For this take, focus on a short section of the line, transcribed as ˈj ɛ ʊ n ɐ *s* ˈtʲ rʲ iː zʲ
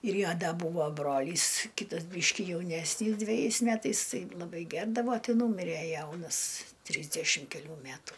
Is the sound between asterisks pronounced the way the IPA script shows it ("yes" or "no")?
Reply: yes